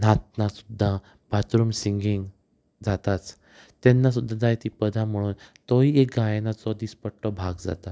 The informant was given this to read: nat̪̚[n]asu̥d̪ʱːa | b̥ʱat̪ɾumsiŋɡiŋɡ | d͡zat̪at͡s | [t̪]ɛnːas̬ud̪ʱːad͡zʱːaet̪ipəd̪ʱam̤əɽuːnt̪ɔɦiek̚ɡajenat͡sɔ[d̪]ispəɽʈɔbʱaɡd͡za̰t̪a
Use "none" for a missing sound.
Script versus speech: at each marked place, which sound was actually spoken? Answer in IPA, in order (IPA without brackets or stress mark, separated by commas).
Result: n, t̪, d̪